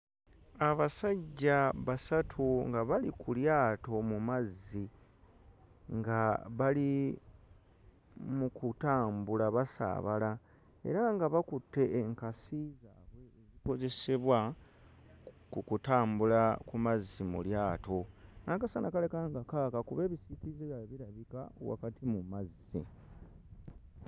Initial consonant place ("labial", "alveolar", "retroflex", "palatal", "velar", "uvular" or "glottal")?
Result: labial